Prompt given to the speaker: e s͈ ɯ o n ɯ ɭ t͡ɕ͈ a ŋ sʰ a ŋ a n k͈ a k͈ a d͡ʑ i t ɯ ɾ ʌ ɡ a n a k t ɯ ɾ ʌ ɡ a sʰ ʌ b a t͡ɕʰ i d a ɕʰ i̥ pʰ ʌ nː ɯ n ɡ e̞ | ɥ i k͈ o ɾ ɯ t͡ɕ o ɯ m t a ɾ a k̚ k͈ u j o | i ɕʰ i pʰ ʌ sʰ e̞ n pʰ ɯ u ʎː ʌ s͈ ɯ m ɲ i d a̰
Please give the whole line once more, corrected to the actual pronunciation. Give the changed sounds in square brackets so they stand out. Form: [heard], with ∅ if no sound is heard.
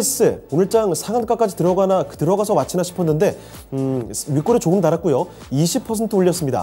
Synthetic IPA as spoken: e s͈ ɯ o n ɯ ɭ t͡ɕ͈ a ŋ sʰ a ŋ a n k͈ a k͈ a d͡ʑ i t ɯ ɾ ʌ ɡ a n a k t ɯ ɾ ʌ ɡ a sʰ ʌ [m] a t͡ɕʰ i [n] a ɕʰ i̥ pʰ ʌ nː ɯ n [d] e̞ | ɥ i k͈ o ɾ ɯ t͡ɕ o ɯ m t a ɾ a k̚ k͈ u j o | i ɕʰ i pʰ ʌ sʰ e̞ n [tʰ] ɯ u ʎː ʌ s͈ ɯ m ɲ i d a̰

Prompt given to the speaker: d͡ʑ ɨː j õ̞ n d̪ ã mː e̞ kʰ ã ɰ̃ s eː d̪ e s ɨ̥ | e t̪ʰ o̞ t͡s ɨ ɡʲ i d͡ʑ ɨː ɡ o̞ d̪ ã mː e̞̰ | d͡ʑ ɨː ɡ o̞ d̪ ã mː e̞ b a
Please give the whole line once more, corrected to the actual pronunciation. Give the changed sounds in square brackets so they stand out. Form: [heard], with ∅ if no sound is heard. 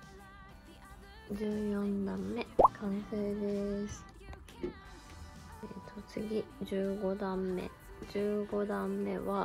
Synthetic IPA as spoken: d͡ʑ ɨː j õ̞ n d̪ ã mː e̞ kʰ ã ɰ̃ s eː d̪ e s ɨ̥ | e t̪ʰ o̞ t͡s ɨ ɡʲ i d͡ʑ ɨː ɡ o̞ d̪ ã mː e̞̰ | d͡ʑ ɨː ɡ o̞ d̪ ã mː e̞ [β] a

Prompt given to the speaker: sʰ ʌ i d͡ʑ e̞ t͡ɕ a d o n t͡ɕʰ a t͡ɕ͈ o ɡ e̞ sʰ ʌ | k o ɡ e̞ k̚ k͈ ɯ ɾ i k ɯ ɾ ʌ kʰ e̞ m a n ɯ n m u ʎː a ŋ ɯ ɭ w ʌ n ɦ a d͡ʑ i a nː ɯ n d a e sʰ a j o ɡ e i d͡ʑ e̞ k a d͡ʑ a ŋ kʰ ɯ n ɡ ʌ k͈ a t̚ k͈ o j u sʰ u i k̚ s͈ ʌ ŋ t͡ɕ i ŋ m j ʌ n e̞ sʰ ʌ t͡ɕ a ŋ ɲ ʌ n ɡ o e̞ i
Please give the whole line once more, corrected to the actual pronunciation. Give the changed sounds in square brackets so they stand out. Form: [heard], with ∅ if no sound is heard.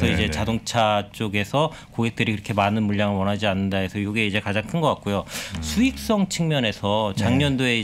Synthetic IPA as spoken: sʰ ʌ i d͡ʑ e̞ t͡ɕ a d o [ŋ] t͡ɕʰ a t͡ɕ͈ o ɡ e̞ sʰ ʌ | k o ɡ e̞ k̚ [t͈] ɯ ɾ i k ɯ ɾ ʌ kʰ e̞ m a n ɯ n m u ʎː a ŋ ɯ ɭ w ʌ n ɦ a d͡ʑ i a nː ɯ n d a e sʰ [ʌ] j o ɡ e i d͡ʑ e̞ k a d͡ʑ a ŋ kʰ ɯ n ɡ ʌ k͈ a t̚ k͈ o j [o] sʰ u i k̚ s͈ ʌ ŋ [t͡ɕʰ] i ŋ m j ʌ n e̞ sʰ ʌ t͡ɕ a ŋ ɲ ʌ n [d] o e̞ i

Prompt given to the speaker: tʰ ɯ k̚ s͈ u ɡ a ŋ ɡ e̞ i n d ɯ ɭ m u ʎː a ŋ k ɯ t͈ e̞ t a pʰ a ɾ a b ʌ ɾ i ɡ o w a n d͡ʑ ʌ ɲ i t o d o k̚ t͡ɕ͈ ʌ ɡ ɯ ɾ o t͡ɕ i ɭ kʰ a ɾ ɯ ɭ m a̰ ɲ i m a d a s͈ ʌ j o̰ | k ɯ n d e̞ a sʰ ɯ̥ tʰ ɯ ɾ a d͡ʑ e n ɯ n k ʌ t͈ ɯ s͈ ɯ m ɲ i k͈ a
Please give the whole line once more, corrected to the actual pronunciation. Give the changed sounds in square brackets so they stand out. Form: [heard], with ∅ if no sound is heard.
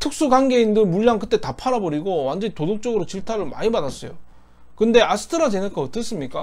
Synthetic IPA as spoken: tʰ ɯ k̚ s͈ u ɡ a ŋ ɡ e̞ i n d ɯ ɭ m u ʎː a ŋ k ɯ t͈ e̞ t a pʰ a ɾ a b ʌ ɾ i ɡ o w a n d͡ʑ ʌ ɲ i t o d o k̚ t͡ɕ͈ ʌ ɡ ɯ ɾ o t͡ɕ i ɭ [tʰ] a ɾ ɯ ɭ m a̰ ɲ i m a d a s͈ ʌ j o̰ | k ɯ n d e̞ a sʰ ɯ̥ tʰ ɯ ɾ a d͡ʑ e n ɯ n k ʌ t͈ ɯ s͈ ɯ m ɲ i k͈ a

